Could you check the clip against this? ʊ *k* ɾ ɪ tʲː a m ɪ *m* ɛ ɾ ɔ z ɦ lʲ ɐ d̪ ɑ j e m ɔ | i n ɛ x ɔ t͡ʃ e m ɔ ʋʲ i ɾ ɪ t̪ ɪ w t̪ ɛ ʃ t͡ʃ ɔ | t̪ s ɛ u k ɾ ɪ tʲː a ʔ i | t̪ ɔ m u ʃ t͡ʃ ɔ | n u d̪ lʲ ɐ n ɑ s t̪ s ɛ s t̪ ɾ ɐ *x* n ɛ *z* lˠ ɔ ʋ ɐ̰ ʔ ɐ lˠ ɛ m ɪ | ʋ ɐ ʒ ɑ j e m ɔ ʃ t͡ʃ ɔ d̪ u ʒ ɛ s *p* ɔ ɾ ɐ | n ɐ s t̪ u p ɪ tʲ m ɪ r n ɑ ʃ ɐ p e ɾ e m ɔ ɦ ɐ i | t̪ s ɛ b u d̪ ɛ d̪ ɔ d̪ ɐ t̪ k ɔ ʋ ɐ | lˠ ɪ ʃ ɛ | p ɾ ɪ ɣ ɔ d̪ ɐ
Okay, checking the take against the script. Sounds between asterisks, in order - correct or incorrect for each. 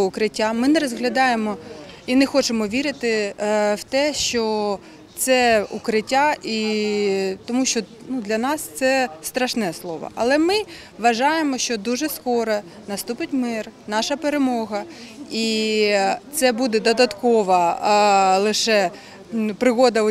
correct, incorrect, incorrect, incorrect, incorrect

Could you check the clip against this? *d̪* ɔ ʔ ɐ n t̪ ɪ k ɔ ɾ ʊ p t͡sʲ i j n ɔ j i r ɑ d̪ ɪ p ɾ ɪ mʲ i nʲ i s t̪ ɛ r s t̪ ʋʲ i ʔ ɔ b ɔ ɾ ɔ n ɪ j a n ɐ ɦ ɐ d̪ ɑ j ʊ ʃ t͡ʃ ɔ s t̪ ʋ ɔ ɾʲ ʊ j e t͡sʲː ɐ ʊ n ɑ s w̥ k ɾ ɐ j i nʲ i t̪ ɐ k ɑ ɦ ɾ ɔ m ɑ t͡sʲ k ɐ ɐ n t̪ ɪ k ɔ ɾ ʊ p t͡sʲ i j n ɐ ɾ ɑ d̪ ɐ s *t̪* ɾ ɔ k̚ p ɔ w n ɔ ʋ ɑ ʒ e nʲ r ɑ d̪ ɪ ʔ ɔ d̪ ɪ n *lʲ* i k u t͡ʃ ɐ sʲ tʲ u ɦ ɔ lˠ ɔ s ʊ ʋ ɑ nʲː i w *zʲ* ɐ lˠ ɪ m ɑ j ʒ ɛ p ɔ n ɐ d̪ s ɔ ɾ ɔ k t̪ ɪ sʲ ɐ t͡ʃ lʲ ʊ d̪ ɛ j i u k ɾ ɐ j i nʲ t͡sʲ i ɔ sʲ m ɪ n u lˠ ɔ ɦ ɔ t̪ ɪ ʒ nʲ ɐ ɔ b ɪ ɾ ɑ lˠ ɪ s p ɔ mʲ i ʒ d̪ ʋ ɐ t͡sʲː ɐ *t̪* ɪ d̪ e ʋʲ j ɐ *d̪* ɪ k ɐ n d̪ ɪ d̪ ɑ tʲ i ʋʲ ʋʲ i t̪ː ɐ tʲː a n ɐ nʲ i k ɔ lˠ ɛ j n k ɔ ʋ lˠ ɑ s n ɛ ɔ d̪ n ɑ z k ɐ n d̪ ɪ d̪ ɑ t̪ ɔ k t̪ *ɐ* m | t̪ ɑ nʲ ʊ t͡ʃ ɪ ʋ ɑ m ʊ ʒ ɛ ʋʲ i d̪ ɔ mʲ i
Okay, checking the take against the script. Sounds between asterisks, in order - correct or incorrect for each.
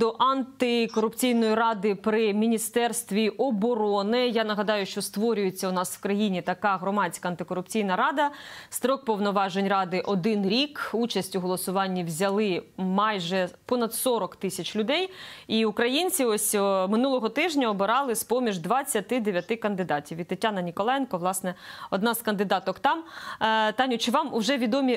correct, correct, incorrect, correct, correct, incorrect, incorrect

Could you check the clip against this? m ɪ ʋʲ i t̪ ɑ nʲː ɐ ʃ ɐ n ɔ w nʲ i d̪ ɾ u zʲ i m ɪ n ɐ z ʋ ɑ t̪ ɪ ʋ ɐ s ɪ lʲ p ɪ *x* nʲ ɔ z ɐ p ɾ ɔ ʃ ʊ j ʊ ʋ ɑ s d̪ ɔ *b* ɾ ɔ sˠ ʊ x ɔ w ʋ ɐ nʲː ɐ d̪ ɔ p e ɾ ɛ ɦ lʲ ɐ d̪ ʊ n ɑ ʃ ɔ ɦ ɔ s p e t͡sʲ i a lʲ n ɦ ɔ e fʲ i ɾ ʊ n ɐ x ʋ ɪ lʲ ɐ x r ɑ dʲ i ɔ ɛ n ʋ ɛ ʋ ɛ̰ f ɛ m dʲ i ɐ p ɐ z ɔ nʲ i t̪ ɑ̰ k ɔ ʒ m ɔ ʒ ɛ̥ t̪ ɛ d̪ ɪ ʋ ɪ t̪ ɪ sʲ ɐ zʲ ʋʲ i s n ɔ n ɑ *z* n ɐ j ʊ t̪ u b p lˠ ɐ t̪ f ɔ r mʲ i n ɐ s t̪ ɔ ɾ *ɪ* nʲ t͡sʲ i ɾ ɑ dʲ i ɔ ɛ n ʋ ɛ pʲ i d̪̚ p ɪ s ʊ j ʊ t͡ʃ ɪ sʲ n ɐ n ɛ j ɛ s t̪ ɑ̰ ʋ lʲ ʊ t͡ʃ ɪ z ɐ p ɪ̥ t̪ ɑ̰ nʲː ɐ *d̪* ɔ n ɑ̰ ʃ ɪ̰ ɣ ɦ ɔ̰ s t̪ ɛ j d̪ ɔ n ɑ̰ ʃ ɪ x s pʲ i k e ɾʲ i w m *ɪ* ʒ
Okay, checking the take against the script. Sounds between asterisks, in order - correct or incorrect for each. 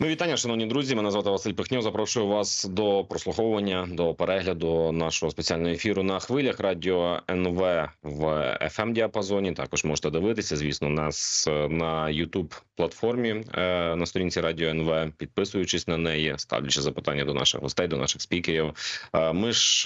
correct, incorrect, incorrect, incorrect, correct, correct

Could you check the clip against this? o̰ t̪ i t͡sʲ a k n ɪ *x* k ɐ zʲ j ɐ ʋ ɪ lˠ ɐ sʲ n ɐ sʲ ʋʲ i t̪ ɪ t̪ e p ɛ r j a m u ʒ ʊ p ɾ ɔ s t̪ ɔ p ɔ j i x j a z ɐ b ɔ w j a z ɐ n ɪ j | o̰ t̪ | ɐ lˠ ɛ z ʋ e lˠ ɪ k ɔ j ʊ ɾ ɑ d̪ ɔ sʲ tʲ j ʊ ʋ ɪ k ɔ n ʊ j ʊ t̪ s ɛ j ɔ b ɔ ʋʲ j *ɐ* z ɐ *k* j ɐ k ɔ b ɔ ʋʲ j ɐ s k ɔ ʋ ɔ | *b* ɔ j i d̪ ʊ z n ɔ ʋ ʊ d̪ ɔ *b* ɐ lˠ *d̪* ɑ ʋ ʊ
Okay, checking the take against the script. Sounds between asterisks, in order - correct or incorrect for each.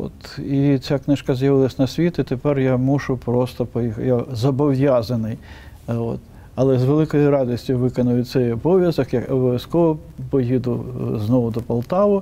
incorrect, correct, correct, incorrect, incorrect, incorrect

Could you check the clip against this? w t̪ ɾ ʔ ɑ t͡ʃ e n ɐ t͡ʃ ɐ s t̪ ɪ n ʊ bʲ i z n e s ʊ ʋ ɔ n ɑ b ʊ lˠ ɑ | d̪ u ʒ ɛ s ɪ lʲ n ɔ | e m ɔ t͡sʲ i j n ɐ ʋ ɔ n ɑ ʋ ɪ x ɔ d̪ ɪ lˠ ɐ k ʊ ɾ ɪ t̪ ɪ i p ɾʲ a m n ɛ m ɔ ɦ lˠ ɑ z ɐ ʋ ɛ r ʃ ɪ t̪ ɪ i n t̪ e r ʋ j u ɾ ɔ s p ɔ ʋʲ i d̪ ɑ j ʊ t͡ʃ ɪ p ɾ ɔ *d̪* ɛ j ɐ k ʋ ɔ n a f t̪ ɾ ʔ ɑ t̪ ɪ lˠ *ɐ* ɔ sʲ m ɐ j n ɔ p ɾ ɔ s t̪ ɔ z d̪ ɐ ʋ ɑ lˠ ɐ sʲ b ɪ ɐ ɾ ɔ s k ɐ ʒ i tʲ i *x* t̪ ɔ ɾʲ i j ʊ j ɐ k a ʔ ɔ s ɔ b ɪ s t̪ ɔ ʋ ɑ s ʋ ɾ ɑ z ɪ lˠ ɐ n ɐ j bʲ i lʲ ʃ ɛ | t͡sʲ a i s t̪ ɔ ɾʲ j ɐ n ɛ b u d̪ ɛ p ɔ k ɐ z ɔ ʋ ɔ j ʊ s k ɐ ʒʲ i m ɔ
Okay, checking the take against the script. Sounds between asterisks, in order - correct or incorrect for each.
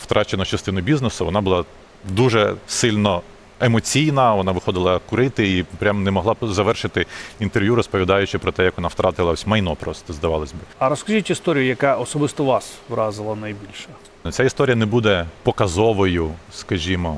incorrect, correct, incorrect

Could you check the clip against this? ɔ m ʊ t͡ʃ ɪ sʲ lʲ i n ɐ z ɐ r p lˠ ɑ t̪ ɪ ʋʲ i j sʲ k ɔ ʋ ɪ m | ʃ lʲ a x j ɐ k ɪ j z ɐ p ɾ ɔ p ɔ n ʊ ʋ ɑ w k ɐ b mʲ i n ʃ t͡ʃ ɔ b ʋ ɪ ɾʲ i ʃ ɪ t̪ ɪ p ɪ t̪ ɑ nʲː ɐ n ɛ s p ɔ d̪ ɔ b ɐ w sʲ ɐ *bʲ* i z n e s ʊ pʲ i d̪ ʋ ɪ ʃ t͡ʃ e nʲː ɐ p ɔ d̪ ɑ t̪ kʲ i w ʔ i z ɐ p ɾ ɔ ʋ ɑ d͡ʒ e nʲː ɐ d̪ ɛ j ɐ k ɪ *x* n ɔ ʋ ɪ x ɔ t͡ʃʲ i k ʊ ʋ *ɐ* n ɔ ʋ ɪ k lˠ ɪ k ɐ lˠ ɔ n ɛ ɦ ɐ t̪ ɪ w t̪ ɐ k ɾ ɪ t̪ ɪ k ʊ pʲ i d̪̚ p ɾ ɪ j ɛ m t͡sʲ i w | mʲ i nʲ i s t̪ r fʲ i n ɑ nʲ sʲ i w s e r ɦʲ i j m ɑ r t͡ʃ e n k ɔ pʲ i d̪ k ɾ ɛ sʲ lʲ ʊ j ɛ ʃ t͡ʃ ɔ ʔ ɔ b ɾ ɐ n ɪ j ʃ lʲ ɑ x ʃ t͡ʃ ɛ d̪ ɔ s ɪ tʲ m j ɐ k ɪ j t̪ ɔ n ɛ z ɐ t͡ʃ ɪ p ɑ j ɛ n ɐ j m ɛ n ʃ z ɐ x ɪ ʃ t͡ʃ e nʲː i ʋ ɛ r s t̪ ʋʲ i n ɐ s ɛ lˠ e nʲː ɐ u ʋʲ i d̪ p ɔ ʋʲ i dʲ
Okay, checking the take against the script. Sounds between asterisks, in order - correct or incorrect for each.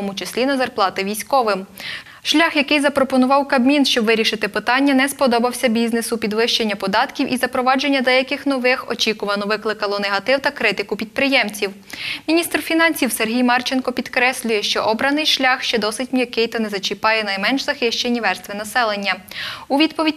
correct, correct, correct

